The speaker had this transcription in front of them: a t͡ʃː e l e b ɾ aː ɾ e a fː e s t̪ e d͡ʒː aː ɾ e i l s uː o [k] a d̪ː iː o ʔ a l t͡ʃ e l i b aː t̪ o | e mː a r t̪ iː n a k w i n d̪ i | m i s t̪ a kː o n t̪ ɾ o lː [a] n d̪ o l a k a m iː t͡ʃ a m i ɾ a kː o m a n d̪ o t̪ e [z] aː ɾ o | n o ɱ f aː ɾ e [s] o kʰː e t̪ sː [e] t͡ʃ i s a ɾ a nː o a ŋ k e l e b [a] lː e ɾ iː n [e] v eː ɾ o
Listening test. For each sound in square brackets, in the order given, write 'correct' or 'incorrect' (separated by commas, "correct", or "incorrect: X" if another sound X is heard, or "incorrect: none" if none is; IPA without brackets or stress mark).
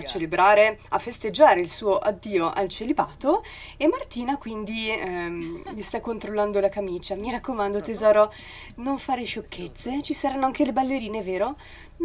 incorrect: ʔ, correct, correct, incorrect: ʃ, correct, correct, correct